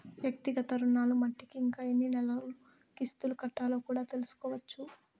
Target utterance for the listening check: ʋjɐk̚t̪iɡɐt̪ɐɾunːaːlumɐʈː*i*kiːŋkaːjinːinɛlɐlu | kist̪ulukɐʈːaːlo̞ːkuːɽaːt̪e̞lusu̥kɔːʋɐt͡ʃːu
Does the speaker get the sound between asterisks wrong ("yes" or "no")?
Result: no